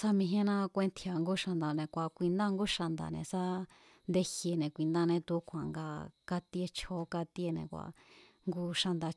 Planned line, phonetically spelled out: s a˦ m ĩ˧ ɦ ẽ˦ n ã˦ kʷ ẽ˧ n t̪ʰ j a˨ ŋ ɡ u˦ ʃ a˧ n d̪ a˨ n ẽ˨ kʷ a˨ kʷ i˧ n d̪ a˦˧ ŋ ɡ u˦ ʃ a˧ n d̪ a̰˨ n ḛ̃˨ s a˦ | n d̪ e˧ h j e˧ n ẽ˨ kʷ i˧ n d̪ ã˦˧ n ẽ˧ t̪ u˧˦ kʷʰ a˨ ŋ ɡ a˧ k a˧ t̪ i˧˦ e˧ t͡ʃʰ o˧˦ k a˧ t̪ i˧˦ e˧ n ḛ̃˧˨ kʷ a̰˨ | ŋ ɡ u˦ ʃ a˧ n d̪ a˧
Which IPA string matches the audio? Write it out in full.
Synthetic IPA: s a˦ m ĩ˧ ɦ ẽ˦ n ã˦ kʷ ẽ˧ n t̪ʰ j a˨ ŋ ɡ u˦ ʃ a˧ n d̪ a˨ n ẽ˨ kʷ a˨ kʷ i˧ n d̪ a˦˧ ŋ ɡ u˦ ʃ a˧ n d̪ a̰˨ n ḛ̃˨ s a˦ | n d̪ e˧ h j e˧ n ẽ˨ kʷ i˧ n d̪ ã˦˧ n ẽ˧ t̪ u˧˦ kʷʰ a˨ ŋ ɡ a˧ k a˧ t̪ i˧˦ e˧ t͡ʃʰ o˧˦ k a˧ t̪ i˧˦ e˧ n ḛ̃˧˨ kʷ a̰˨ | ŋ ɡ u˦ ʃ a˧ n d̪ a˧

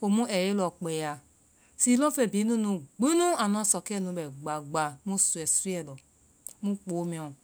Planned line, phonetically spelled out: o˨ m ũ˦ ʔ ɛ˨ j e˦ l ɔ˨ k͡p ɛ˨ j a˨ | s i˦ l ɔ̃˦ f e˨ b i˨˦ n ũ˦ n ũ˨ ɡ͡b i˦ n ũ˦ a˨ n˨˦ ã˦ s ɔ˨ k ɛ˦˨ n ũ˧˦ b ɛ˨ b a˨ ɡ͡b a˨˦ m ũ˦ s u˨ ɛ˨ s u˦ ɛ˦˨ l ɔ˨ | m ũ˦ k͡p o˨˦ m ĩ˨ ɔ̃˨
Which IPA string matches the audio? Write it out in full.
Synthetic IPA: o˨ m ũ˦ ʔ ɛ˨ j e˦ l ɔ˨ k͡p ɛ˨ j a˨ | s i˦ l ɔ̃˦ f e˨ b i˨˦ n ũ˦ n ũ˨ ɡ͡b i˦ n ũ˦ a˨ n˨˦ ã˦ s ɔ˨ k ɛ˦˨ n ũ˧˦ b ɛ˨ ɡ͡b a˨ ɡ͡b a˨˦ m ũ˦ s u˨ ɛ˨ s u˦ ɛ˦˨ l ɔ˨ | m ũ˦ k͡p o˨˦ m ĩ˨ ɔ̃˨

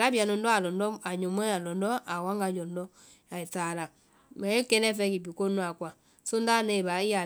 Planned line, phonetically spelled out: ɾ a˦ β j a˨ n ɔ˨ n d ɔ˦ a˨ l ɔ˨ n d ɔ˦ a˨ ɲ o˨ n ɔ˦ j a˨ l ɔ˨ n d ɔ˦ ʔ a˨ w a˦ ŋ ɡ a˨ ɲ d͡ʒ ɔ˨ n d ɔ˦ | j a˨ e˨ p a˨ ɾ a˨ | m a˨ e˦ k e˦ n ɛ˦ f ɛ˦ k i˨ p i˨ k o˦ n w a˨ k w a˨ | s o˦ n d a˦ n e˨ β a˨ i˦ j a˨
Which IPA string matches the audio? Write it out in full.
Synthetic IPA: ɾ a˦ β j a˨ n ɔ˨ n d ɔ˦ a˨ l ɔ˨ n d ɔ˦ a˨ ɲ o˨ m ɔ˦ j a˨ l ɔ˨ n d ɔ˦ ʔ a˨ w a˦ ŋ ɡ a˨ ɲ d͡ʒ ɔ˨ n d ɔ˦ | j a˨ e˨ t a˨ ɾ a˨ | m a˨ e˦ k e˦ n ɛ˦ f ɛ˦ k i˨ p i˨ k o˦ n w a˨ k w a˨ | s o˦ n d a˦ n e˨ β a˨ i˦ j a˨

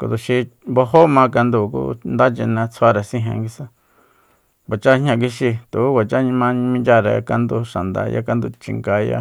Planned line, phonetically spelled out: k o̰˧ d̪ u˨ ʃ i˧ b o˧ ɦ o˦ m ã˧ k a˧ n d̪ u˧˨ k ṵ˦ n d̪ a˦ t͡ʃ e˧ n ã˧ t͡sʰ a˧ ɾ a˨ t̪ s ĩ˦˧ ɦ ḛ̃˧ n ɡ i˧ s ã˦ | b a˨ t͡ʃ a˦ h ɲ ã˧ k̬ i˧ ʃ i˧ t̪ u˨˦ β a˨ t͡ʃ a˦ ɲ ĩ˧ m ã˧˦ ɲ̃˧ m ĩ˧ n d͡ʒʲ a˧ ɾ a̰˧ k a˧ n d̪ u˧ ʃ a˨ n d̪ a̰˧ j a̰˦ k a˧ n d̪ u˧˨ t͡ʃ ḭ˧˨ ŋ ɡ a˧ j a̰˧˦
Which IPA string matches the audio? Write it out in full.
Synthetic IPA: k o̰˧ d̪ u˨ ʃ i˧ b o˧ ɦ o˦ m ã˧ k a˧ n d̪ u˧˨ k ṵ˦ n d̪ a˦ t͡ʃ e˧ n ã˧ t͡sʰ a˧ ɾ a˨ s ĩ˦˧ ɦ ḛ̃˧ ŋ ɡ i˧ s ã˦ | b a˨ t͡ʃ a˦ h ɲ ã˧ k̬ i˧ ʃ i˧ t̪ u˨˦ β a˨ t͡ʃ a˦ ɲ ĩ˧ m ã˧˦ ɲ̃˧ m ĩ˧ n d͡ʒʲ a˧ ɾ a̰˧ k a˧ n d̪ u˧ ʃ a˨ n d̪ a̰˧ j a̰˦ k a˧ n d̪ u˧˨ t͡ʃ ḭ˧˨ ŋ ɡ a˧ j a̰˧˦

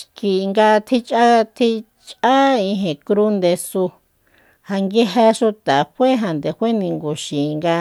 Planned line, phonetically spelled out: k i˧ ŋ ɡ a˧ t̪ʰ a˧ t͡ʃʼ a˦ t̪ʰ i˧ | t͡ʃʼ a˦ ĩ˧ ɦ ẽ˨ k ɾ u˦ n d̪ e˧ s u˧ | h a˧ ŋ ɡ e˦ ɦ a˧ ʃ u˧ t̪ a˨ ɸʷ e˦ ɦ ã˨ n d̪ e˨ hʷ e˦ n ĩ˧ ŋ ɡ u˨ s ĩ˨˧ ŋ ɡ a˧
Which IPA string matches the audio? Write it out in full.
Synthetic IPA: k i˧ ŋ ɡ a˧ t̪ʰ i˧ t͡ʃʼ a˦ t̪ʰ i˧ | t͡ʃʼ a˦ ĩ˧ ɦ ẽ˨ k ɾ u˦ n d̪ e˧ s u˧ | h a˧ ŋ ɡ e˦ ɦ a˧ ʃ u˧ t̪ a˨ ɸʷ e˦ ɦ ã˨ n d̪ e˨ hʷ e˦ n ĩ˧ ŋ ɡ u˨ ʃ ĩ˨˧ ŋ ɡ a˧

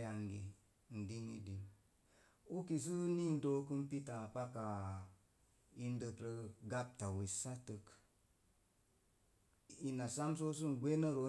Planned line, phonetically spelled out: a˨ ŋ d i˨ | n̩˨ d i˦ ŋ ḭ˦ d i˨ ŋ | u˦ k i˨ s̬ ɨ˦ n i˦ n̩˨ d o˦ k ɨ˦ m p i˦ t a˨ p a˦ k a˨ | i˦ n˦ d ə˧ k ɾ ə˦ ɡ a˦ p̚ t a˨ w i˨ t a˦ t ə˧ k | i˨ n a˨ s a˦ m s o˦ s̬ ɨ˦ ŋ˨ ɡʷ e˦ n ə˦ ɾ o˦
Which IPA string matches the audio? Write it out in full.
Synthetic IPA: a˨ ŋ ɡ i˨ | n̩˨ d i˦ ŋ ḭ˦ d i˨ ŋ | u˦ k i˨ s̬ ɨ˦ n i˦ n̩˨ d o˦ k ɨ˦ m p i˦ t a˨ p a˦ k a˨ | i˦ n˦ d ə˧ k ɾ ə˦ ɡ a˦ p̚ t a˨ w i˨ s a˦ t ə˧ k | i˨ n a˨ s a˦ m s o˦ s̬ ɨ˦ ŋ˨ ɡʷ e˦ n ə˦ ɾ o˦

